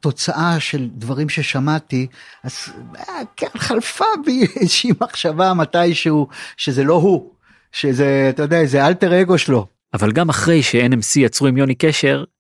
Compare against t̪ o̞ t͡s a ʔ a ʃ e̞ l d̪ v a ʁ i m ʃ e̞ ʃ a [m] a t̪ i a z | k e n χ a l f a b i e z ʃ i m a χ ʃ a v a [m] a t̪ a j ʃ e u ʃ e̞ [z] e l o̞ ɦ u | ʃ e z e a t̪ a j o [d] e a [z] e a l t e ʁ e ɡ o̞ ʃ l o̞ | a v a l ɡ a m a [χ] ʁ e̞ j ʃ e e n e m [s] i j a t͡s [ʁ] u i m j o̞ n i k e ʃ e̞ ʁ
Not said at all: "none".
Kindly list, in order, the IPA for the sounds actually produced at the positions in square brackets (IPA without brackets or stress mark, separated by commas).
m, m, z, d, z, χ, s, ʁ